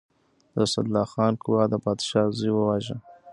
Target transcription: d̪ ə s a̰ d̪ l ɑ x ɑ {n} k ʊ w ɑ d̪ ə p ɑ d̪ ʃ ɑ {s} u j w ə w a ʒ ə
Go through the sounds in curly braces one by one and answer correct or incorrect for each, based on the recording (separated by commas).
correct, incorrect